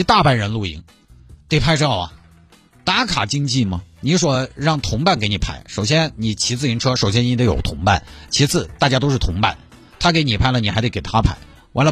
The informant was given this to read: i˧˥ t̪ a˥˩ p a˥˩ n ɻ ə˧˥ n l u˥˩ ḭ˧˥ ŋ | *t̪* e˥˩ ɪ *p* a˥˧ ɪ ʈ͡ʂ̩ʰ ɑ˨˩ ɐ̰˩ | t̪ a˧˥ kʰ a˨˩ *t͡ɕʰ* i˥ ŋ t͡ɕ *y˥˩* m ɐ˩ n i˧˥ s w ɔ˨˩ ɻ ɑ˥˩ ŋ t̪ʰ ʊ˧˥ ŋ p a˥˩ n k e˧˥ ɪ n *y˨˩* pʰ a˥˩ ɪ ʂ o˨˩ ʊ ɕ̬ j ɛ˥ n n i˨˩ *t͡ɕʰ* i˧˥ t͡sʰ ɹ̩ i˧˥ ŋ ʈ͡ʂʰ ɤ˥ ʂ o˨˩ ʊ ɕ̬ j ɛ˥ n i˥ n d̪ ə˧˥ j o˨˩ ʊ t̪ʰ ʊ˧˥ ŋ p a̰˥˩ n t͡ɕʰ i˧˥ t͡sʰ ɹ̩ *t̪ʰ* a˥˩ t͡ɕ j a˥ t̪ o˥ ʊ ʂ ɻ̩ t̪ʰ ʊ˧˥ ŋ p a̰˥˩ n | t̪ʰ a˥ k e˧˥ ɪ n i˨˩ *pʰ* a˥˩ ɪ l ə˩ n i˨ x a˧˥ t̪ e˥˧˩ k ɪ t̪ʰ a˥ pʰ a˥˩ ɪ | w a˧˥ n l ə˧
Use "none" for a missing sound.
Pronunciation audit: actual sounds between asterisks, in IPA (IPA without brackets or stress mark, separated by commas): t̪, pʰ, t͡ɕ, i˥˩, i˨˩, t͡ɕʰ, t̪, pʰ